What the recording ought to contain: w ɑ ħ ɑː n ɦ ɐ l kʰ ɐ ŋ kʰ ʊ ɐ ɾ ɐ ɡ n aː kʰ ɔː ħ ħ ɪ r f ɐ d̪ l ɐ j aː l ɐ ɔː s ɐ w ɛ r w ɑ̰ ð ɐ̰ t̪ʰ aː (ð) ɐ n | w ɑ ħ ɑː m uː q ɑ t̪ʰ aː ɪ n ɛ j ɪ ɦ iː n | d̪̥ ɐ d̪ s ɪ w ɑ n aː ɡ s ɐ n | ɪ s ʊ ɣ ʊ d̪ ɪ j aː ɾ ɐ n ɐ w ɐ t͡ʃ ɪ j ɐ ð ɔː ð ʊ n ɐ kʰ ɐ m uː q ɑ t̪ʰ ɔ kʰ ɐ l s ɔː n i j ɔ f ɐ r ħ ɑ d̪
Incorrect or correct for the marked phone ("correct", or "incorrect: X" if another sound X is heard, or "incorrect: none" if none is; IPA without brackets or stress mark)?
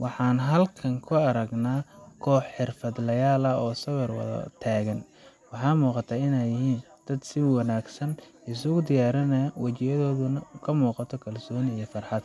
incorrect: ɣ